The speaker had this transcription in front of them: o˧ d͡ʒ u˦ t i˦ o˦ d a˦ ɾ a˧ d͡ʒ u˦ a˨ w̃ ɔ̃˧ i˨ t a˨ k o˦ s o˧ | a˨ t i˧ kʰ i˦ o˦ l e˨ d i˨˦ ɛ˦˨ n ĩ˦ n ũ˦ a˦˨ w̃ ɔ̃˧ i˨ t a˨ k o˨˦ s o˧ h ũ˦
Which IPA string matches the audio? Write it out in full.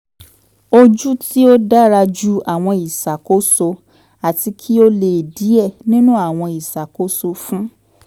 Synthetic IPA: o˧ d͡ʒ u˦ t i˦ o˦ d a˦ ɾ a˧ d͡ʒ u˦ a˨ w̃ ɔ̃˧ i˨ s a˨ k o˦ s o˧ | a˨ t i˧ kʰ i˦ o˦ l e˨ d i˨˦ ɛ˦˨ n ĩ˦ n ũ˦ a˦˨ w̃ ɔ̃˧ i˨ s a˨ k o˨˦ s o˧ f ũ˦